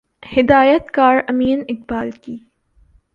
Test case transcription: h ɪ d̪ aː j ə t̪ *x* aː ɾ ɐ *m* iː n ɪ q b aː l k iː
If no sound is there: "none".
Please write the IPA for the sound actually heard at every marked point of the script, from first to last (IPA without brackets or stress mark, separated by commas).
k, m